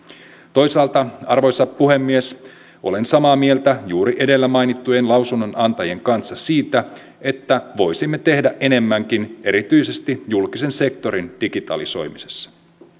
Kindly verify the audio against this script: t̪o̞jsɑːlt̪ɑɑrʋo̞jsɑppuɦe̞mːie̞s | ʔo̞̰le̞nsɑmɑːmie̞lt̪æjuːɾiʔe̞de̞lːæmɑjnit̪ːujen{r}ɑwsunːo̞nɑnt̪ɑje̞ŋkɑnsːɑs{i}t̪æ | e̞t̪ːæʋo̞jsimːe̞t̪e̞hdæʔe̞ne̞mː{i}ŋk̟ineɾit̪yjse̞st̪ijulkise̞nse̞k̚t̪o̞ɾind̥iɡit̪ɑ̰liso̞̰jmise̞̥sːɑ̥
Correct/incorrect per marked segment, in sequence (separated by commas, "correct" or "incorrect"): incorrect, incorrect, incorrect